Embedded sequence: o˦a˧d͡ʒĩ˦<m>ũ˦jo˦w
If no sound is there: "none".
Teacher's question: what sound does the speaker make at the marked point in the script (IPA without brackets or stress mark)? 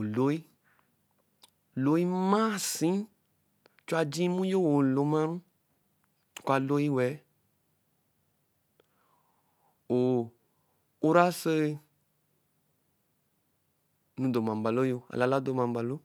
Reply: m